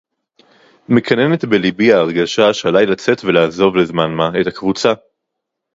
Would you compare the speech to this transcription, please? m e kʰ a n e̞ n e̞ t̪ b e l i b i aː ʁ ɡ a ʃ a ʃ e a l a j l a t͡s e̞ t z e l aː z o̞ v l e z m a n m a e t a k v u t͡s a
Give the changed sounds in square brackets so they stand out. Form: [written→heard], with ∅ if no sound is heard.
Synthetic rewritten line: m e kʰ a n e̞ n e̞ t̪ b e l i b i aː ʁ ɡ a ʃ a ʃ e a l a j l a t͡s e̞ t [z→v] e l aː z o̞ v l e z m a n m a e t a k v u t͡s a